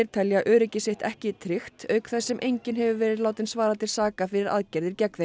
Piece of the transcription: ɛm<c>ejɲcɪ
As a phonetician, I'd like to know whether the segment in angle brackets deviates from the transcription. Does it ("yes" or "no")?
yes